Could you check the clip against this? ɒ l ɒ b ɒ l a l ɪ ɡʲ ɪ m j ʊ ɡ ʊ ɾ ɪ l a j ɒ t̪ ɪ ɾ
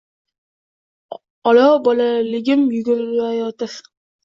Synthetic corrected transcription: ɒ l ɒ b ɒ l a l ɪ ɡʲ ɪ m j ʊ ɡ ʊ ɾ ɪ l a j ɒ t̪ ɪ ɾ